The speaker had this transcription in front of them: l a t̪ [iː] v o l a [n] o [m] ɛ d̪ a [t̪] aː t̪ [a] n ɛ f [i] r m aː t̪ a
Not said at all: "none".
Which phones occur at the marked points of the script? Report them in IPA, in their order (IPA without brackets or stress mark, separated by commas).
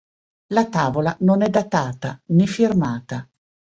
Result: aː, n, n, t̪, a, i